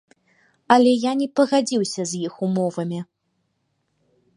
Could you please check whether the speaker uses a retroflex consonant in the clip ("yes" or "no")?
no